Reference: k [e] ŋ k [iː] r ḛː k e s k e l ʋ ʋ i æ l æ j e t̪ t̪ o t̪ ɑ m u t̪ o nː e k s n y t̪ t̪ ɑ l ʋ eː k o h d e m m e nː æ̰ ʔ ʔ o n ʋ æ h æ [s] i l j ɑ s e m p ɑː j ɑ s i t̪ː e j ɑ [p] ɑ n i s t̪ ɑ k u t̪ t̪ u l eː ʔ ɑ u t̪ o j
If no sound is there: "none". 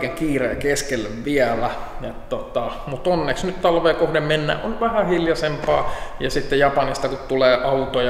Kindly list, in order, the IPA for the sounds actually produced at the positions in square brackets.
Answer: e, iː, h, p

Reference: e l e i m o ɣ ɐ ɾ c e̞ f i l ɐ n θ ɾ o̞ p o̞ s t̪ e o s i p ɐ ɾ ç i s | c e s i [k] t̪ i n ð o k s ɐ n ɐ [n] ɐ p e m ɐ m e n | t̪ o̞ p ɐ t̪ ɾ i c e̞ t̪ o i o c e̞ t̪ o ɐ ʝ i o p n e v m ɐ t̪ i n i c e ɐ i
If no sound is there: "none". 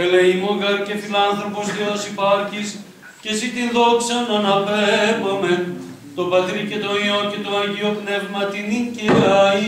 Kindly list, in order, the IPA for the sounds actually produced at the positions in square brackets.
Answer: none, n

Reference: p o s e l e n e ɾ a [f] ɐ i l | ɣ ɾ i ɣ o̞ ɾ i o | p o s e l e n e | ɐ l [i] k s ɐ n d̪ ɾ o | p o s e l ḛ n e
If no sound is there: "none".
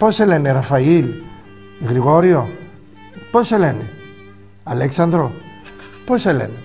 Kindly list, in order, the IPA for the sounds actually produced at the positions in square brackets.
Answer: f, e

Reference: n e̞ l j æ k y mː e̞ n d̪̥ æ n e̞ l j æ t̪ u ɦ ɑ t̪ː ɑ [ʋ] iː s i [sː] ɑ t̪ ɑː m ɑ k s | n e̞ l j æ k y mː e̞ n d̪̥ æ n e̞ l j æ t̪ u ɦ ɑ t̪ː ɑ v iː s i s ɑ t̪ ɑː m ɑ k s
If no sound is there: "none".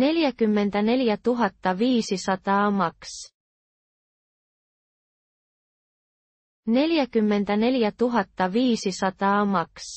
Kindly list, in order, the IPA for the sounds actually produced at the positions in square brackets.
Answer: v, s

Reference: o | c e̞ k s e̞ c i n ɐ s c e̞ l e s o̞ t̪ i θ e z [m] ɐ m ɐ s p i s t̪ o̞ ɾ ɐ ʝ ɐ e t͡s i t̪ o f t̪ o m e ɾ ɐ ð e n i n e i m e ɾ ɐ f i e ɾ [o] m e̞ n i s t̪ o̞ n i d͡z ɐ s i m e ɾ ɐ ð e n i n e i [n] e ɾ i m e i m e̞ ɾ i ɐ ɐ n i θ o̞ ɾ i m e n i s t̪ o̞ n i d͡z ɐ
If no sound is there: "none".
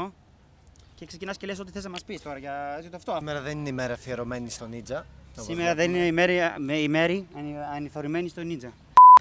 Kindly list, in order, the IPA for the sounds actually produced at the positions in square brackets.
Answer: n, o, m

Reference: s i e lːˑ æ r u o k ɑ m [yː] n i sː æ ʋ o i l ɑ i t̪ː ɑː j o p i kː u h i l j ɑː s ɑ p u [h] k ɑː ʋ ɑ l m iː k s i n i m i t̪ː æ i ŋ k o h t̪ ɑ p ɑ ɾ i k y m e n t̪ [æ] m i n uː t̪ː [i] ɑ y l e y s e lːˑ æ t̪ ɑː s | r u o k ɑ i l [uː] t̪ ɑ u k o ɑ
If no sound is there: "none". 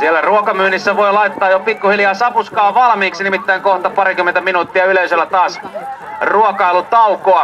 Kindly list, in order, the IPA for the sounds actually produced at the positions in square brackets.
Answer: yː, s, æ, i, u

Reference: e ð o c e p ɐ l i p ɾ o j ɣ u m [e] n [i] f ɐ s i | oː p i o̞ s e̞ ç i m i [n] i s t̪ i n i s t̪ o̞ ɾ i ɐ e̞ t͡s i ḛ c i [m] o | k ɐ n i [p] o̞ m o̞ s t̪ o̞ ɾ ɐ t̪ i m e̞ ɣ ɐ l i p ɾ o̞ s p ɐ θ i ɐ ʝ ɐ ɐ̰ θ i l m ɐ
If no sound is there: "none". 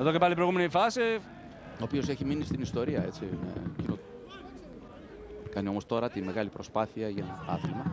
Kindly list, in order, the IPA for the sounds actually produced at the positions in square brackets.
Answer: e, i, n, n, none

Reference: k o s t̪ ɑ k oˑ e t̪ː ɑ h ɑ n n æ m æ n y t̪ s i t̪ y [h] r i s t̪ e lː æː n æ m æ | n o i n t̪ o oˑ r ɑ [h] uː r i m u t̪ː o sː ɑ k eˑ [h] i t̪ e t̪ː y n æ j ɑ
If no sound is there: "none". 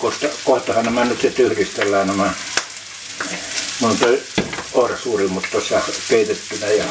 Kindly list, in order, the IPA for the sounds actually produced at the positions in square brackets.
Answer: h, s, none

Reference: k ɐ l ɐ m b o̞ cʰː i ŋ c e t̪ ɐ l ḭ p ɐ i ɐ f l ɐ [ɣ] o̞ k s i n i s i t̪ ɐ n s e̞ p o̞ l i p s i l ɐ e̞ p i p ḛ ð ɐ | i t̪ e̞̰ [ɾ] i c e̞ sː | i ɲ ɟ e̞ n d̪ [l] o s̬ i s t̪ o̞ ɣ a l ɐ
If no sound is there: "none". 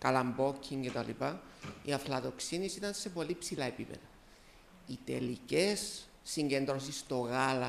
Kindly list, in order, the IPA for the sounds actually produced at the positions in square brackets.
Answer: ð, l, ɾ

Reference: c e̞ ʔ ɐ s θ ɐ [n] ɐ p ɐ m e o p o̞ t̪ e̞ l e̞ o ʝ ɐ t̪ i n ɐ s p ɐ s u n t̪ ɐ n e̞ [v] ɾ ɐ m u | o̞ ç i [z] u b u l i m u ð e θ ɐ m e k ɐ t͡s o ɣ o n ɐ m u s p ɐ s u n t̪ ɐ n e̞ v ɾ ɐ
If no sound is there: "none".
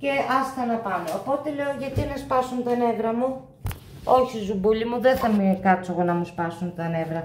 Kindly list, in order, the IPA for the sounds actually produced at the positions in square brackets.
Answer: n, v, z

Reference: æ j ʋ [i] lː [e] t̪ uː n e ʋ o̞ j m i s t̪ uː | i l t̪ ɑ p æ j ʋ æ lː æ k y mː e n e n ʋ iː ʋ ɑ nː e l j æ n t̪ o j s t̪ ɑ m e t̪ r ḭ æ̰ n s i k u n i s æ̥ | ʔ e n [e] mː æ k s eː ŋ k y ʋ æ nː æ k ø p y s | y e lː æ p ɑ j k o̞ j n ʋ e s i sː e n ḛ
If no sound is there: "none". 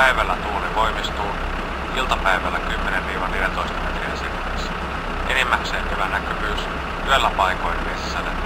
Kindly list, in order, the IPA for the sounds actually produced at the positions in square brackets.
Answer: æ, æ, i

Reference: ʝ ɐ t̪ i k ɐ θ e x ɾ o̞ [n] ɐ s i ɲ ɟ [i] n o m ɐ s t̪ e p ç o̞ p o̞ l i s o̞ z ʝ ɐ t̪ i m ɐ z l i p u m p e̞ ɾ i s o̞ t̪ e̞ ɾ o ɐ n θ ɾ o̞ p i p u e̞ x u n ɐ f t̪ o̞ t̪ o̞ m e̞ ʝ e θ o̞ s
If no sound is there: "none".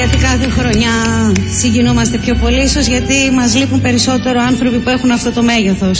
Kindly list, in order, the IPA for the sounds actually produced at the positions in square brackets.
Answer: ɲ, i

